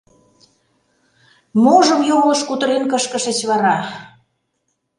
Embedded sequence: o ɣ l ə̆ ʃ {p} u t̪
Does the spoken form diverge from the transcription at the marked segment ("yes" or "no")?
yes